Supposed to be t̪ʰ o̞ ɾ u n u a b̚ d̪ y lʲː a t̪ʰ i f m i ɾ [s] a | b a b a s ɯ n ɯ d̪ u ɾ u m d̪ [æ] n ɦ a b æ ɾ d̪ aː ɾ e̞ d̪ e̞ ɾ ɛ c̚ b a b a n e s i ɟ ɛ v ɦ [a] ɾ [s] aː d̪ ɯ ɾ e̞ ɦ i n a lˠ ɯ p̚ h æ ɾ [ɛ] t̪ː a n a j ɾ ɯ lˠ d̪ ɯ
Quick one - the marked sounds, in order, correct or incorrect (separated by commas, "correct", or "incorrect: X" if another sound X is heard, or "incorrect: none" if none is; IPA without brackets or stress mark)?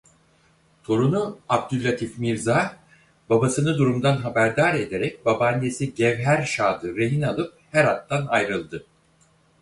incorrect: z, incorrect: a, incorrect: æ, incorrect: ʃ, incorrect: a